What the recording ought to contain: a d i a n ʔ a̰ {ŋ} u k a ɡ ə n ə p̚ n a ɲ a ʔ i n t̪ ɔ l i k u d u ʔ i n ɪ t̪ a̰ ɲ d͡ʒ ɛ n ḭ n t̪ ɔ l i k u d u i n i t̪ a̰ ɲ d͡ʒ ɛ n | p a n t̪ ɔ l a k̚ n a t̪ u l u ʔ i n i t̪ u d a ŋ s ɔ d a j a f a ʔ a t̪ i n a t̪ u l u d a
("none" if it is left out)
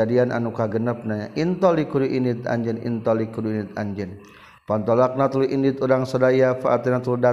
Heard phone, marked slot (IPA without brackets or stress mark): n